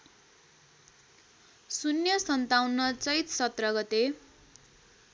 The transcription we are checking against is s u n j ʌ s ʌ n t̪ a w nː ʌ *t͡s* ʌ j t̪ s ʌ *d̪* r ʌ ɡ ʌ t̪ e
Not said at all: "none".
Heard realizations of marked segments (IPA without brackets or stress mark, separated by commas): t͡s, t̪